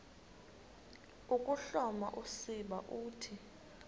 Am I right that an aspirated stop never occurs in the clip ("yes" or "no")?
no